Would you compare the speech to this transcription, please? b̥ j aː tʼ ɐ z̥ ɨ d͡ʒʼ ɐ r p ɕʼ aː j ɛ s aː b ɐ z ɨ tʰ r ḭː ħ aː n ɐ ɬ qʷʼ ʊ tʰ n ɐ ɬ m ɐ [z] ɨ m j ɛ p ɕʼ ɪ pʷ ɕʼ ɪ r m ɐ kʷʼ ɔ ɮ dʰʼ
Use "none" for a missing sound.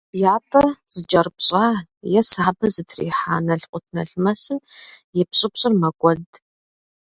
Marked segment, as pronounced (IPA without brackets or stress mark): s